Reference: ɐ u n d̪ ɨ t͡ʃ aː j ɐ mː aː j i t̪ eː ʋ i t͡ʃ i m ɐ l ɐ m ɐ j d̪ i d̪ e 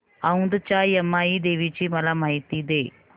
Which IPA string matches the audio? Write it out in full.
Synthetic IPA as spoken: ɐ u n d̪ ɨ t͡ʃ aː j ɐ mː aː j i d̪ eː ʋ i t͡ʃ i m ɐ l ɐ m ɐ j t̪ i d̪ e